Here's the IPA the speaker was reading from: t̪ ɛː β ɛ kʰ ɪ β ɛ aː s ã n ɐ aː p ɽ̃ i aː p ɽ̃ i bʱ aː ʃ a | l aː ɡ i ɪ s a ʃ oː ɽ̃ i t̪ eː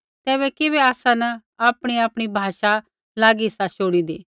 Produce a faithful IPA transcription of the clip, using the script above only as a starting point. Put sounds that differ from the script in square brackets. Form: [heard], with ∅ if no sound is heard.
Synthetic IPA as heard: t̪ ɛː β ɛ [k] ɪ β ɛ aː s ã n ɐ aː p ɽ̃ i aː p ɽ̃ i bʱ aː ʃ a | l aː ɡ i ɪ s a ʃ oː ɽ̃ i [d̪] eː